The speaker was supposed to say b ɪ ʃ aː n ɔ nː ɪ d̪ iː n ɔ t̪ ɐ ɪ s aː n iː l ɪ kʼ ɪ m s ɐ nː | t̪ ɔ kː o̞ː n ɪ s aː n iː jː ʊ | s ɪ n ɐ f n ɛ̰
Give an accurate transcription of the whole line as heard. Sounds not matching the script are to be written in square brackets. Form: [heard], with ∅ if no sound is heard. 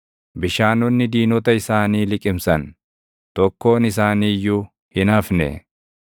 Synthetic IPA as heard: b ɪ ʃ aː n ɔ nː ɪ d̪ iː n ɔ t̪ ɐ ɪ s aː n iː l ɪ kʼ ɪ m s ɐ [n] | t̪ ɔ kː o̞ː n ɪ s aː n iː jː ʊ | [h] ɪ n ɐ f n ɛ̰